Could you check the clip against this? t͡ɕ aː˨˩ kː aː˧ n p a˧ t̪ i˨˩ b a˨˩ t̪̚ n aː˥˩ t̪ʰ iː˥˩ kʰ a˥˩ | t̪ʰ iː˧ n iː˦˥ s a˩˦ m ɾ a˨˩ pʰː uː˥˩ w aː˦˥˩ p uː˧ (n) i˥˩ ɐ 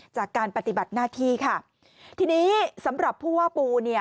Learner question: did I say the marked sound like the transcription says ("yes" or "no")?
yes